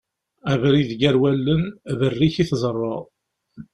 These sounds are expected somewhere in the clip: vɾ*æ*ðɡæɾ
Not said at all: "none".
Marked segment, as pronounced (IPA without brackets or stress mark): i